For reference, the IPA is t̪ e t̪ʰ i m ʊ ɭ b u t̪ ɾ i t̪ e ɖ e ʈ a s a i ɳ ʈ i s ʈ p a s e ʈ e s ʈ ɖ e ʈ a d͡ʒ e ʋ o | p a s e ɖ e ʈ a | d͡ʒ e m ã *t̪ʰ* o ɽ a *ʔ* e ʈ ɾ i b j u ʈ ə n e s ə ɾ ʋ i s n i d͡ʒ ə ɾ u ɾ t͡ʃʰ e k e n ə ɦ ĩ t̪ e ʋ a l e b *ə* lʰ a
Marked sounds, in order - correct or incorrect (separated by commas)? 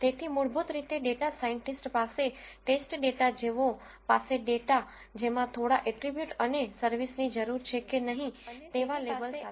correct, correct, correct